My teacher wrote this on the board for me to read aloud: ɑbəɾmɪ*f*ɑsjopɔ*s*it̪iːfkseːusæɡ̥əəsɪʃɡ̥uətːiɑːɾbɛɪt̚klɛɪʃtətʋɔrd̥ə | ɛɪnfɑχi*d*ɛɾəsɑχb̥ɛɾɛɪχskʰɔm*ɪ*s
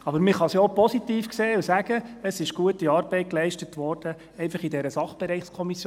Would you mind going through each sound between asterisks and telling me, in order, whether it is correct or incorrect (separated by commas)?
incorrect, correct, correct, incorrect